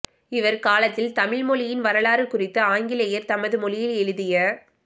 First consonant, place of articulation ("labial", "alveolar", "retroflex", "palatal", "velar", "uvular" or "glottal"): labial